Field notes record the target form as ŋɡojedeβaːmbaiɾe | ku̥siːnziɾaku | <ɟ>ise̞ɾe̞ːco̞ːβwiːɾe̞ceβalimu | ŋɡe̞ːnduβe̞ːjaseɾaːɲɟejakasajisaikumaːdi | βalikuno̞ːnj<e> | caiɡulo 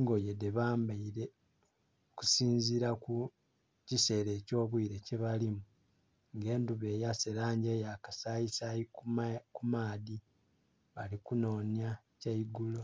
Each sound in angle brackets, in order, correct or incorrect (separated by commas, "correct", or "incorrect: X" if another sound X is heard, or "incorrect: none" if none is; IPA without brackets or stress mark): incorrect: c, incorrect: a